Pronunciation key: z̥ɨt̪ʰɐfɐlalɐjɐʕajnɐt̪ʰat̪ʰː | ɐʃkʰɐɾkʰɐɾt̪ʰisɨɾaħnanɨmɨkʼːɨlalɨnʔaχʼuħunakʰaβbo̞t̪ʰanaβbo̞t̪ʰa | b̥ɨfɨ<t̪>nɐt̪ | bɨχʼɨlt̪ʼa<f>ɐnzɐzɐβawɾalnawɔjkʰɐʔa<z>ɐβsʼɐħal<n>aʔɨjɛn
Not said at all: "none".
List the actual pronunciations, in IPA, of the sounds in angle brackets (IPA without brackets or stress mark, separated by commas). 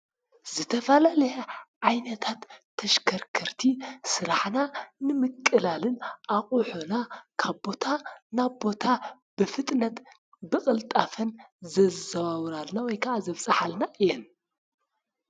t̪ʼ, f, z, n